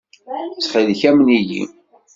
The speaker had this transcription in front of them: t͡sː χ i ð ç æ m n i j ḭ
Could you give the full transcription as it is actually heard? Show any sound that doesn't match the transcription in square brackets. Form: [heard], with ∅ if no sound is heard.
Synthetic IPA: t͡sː χ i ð ç æ m n i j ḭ